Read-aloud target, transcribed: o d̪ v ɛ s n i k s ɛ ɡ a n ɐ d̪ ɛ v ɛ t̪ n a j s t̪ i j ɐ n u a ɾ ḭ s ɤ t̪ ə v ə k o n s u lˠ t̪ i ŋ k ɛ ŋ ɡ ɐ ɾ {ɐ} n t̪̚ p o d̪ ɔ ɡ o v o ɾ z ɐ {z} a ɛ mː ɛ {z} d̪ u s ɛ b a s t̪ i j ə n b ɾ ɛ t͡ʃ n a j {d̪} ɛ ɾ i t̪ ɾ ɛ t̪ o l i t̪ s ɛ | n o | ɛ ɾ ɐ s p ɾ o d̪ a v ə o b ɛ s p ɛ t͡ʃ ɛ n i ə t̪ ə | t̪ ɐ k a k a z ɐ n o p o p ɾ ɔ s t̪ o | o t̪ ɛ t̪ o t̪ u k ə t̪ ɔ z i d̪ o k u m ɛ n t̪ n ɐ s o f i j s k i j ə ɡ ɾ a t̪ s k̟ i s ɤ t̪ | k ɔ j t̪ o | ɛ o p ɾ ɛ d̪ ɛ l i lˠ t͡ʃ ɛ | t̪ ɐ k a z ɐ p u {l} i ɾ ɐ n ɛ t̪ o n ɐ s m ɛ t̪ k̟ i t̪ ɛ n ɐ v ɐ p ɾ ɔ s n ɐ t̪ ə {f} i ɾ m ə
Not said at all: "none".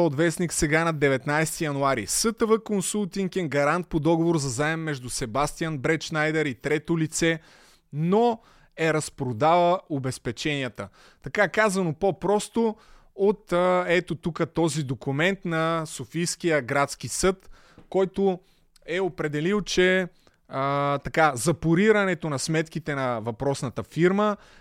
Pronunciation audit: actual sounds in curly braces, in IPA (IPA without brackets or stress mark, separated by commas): a, z, ʒ, d̪, ɾ, f